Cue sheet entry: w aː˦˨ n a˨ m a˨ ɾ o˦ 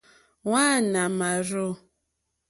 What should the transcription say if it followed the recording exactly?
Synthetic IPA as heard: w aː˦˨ n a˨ m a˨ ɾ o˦